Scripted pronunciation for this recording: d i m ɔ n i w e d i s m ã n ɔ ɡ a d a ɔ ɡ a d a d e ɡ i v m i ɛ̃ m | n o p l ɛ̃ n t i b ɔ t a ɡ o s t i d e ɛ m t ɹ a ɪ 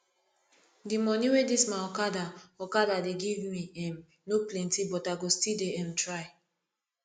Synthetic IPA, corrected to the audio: d i m ɔ n i w e d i s m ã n ɔ k a d a ɔ k a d a d e ɡ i v m i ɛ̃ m | n o p l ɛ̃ n t i b ɔ t a ɡ o s t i d e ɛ m t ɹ a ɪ